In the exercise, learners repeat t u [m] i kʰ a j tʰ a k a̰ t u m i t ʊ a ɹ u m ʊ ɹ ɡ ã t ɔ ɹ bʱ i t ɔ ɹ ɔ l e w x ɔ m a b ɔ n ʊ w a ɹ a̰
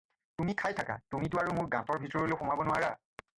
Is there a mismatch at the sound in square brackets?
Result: no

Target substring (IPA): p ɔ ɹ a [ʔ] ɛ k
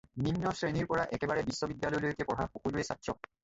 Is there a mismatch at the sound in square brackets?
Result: no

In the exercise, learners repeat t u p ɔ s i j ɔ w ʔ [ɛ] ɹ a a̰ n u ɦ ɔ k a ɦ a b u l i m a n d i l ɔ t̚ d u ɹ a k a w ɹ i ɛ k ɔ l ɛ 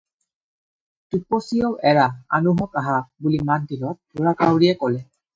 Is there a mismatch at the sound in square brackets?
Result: no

